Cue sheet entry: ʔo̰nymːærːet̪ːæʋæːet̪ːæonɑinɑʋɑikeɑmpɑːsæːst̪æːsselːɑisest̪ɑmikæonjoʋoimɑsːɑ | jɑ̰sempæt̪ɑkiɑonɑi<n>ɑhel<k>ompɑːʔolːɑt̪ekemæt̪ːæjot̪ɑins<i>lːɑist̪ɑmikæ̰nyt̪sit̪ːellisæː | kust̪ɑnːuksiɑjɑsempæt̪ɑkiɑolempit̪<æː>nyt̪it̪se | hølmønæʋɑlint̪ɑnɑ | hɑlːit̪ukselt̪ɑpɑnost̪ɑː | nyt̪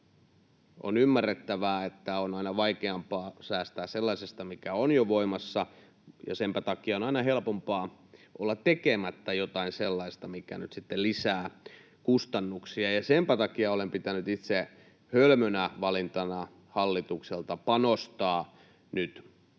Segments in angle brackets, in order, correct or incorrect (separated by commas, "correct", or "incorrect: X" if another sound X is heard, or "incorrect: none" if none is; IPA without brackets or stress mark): correct, incorrect: p, incorrect: e, incorrect: æ